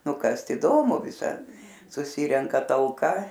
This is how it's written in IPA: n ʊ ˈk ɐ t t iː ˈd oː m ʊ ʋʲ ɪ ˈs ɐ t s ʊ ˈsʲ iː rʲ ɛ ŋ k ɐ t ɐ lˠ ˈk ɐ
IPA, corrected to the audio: n ʊ ˈk ɐ s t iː ˈd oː m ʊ ʋʲ ɪ ˈs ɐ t s ʊ ˈsʲ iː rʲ ɛ ŋ k ɐ t ɐ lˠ ˈk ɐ